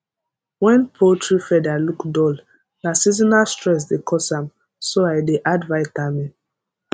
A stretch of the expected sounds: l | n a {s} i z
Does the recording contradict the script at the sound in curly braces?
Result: no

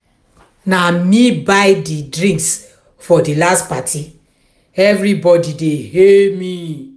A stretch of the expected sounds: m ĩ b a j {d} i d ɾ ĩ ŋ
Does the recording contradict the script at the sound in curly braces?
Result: no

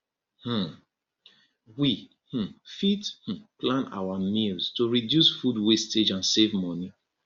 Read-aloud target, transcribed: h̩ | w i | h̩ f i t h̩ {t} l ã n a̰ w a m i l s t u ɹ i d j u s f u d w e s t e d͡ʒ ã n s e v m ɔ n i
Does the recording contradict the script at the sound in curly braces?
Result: yes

